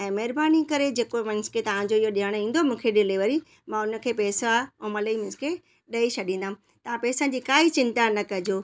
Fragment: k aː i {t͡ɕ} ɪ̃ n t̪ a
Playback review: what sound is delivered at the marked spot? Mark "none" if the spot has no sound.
t͡ɕ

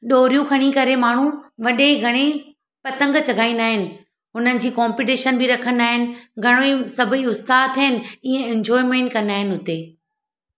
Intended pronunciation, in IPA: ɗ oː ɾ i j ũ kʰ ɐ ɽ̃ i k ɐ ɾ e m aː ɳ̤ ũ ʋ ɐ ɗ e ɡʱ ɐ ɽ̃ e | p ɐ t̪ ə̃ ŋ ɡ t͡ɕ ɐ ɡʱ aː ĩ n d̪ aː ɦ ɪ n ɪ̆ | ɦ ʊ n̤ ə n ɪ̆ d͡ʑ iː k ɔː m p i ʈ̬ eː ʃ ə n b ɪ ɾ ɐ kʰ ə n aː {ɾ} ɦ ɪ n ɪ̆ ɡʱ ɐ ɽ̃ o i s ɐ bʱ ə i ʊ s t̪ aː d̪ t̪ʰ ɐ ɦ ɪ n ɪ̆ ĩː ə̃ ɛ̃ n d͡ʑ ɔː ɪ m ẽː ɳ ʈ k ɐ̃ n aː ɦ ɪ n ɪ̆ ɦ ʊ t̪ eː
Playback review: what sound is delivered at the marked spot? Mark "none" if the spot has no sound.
none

